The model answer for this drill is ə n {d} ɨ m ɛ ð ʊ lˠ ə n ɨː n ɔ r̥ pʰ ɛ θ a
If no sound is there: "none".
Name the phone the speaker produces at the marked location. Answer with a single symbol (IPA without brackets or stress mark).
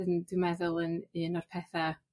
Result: d